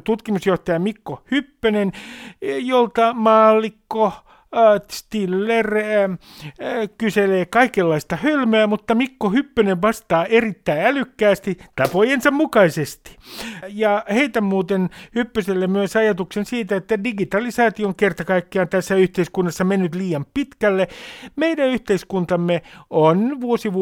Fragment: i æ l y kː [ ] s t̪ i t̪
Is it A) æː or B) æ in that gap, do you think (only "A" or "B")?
A